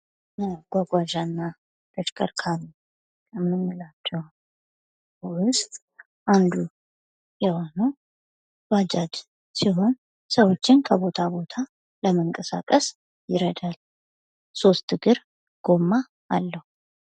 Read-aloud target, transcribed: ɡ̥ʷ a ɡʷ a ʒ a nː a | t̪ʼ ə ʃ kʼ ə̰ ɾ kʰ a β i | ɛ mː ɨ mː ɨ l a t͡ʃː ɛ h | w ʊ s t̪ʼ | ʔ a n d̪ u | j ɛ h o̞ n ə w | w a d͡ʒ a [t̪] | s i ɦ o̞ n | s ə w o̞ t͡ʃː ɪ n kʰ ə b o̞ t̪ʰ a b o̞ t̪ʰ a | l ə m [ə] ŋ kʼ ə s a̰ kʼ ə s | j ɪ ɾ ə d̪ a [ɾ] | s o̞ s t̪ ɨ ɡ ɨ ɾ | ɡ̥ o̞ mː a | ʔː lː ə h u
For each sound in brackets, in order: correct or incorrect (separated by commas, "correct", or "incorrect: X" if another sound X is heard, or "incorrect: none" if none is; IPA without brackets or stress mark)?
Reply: incorrect: d̪, correct, incorrect: l